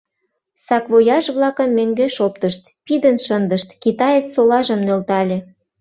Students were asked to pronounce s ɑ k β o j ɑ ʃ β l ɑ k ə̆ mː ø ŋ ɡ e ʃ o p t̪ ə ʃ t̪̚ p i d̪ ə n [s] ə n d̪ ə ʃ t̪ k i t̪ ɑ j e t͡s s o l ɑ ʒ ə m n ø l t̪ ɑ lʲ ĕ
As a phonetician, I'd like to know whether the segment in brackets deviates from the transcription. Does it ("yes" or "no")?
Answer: yes